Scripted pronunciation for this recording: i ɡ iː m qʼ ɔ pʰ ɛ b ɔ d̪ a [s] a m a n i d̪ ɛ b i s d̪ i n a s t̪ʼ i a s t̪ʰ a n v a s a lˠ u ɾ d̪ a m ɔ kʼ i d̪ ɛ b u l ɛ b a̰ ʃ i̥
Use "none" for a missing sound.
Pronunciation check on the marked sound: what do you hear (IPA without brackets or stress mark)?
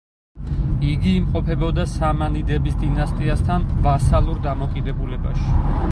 s